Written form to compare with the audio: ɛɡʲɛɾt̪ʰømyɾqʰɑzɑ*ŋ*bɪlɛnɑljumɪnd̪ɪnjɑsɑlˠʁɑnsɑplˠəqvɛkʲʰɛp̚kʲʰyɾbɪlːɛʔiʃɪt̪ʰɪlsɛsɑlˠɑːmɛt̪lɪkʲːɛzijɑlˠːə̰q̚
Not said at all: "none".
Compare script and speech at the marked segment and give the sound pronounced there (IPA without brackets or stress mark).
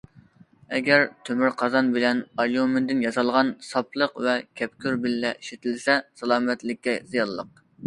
n